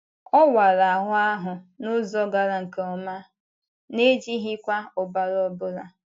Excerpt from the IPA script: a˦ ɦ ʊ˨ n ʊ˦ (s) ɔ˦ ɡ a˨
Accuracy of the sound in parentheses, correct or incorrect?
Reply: incorrect